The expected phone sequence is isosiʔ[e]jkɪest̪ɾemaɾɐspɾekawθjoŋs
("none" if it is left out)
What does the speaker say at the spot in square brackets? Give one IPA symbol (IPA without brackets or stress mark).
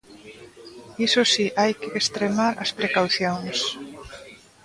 a